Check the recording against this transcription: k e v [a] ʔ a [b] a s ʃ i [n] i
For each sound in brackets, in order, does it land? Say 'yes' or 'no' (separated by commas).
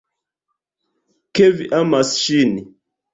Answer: no, no, yes